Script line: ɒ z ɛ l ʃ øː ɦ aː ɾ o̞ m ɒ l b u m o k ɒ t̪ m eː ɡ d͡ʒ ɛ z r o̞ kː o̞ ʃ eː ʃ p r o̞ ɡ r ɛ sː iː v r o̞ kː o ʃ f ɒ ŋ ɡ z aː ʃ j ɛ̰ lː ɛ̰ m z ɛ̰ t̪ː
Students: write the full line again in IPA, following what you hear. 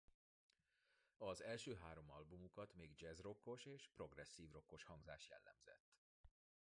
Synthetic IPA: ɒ z ɛ l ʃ øː ɦ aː ɾ o̞ m ɒ l b u m u k ɒ t̪ m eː ɡ d͡ʒ ɛ z r o̞ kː o̞ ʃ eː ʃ p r o̞ ɡ r ɛ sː iː v r o̞ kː o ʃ h ɒ ŋ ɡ z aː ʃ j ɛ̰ lː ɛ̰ m z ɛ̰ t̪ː